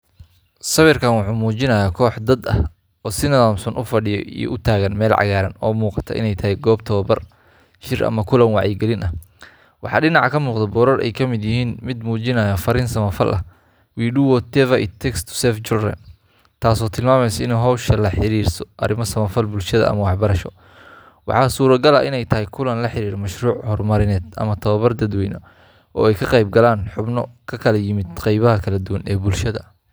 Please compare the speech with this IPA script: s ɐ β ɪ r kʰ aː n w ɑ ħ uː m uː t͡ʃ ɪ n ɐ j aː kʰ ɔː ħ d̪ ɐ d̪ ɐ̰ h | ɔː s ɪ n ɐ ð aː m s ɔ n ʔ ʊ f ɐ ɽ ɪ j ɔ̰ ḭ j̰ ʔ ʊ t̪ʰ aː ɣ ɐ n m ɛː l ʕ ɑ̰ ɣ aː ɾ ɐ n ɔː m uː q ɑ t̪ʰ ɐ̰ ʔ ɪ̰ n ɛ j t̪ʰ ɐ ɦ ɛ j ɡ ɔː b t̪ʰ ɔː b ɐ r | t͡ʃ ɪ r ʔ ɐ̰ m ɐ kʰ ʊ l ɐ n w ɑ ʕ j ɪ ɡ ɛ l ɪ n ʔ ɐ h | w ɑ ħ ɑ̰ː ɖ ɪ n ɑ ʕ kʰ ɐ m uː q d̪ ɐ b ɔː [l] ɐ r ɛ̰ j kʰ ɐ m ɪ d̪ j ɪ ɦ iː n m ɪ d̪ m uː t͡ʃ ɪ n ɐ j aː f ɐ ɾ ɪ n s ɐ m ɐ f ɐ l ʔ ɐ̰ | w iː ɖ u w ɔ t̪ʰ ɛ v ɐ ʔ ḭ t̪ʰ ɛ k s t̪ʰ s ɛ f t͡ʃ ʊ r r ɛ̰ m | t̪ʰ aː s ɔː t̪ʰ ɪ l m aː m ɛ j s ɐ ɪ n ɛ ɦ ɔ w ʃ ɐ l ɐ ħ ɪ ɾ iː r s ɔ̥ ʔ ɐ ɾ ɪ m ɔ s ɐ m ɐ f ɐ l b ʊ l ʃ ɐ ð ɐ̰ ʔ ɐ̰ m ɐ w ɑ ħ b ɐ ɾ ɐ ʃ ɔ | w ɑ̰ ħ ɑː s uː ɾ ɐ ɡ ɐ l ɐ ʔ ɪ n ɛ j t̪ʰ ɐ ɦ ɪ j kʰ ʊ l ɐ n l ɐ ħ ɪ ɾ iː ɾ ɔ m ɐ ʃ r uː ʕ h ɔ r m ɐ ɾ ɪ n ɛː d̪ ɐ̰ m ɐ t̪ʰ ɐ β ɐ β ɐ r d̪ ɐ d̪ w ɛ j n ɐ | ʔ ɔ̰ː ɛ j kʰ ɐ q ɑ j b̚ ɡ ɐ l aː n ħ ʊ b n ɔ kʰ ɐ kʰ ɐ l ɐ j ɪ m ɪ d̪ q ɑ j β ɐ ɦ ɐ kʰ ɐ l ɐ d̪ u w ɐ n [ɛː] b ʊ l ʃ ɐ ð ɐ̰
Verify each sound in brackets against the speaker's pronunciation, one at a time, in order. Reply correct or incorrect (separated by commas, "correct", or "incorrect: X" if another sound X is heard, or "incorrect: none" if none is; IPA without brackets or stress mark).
incorrect: ɾ, correct